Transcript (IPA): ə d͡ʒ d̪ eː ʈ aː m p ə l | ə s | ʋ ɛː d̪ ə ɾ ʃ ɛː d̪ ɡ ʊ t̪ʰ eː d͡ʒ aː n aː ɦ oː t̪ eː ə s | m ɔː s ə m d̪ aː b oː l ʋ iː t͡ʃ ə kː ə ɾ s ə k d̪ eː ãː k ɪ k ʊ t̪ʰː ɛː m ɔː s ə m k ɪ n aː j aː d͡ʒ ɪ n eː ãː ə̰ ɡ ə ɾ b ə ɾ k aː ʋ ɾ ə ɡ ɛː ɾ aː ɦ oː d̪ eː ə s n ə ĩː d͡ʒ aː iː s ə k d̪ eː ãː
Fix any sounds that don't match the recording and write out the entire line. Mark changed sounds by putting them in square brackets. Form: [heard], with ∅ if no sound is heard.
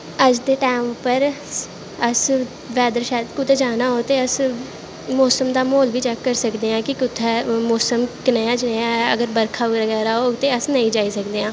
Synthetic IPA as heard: ə d͡ʒ d̪ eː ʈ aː m p ə [ɾ] | ə s | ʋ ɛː d̪ ə ɾ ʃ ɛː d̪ [k] ʊ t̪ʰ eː d͡ʒ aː n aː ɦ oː t̪ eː ə s | m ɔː s ə m d̪ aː [m] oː l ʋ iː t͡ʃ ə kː ə ɾ s ə k d̪ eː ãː k ɪ k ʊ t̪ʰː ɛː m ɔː s ə m k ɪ n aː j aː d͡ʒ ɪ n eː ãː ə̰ ɡ ə ɾ b ə ɾ [kʰ] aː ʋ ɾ ə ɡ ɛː ɾ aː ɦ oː [t̪] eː ə s n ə ĩː d͡ʒ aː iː s ə k d̪ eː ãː